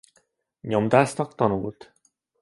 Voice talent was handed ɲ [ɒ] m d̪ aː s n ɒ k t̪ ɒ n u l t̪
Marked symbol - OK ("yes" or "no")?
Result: no